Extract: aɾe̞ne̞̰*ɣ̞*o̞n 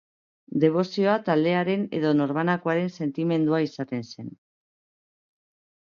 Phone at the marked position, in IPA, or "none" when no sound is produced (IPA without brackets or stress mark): ð̞